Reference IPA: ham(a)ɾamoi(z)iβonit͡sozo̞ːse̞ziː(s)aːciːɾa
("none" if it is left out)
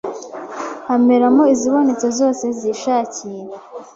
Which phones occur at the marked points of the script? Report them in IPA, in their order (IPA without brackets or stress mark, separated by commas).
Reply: e, z, ʃ